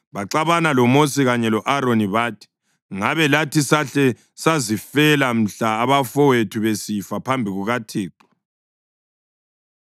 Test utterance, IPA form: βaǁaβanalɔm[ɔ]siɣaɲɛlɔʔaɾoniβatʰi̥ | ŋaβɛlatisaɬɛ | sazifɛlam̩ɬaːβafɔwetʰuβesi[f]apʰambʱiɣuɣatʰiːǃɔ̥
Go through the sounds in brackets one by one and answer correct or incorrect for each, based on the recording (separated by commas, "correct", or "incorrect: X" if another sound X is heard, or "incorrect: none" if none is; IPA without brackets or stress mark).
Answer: incorrect: o, correct